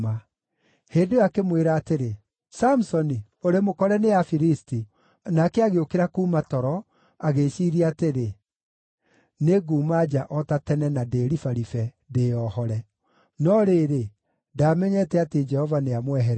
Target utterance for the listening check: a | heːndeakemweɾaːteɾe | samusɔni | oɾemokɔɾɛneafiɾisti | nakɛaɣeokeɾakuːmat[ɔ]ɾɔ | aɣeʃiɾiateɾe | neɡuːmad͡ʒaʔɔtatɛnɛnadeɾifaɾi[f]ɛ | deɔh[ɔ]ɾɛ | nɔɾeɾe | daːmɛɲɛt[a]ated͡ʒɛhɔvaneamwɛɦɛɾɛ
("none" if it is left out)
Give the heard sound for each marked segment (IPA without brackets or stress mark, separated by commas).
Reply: ɔ, f, ɔ, ɛ